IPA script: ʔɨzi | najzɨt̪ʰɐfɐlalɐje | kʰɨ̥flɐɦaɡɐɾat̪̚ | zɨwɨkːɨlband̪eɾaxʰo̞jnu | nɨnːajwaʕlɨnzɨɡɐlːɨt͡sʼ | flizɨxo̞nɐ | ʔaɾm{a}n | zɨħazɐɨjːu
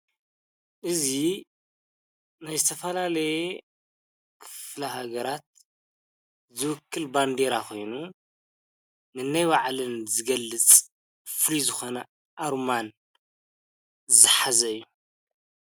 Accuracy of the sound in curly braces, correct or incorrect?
correct